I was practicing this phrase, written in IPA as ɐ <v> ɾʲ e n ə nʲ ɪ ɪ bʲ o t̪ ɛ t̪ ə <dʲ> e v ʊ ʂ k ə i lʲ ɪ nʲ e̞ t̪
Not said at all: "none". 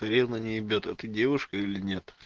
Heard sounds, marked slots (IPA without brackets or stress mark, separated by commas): none, dʲ